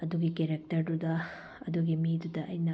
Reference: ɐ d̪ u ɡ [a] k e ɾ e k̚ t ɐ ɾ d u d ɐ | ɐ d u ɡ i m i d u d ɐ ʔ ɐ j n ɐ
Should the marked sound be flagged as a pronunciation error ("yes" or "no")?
yes